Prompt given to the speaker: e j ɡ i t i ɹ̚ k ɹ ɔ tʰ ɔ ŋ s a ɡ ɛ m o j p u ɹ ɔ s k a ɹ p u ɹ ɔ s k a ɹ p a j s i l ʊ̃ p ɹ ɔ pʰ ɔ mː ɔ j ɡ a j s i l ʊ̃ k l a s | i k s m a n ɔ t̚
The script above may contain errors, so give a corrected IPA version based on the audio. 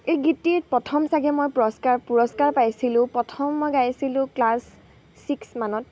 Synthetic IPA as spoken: e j ɡ i t i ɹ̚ p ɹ ɔ tʰ ɔ m s a ɡ ɛ m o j p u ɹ ɔ s k a ɹ p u ɹ ɔ s k a ɹ p a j s i l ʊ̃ p ɹ ɔ tʰ ɔ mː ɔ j ɡ a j s i l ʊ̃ k l a sː | i k s m a n ɔ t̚